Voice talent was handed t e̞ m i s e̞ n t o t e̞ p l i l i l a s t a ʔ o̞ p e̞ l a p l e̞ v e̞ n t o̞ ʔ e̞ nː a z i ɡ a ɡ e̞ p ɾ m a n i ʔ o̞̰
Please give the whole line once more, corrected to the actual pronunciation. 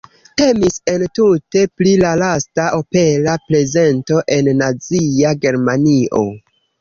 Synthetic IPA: t e̞ m i s e̞ n t u t e̞ p l i l a l a s t a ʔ o̞ p e̞ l a p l e̞ z e̞ n t o̞ ʔ e̞ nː a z i a ɡ e̞ ɾ m a n i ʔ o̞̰